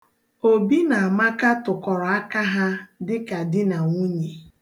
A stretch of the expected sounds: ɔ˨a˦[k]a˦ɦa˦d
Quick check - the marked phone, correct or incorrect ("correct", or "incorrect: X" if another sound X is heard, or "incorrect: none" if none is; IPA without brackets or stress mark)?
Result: correct